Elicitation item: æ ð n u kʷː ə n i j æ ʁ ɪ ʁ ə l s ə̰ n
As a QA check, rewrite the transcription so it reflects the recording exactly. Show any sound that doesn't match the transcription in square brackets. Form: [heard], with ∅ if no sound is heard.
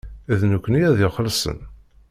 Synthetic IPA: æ ð n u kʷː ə n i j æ [ð] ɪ [χ] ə l s ə̰ n